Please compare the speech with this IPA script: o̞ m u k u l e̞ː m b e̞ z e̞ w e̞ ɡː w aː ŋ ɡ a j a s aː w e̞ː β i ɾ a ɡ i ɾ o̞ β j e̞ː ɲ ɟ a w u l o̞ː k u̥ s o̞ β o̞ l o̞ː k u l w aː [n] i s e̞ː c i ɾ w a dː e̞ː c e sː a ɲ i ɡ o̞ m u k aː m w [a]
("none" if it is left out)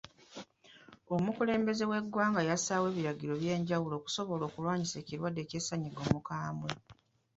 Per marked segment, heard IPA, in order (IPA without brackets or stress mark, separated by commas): ɲ, e